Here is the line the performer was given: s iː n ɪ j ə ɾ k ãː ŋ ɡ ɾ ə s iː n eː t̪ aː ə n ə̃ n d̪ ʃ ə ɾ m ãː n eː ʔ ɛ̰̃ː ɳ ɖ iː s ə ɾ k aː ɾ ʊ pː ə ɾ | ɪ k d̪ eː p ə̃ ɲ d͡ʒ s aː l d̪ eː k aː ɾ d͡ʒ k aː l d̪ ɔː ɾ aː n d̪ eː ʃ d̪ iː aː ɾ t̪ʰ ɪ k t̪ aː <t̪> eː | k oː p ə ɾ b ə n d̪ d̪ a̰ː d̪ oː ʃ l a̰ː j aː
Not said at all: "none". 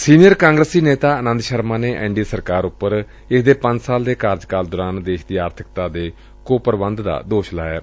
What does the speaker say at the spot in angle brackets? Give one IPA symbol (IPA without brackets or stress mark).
d̪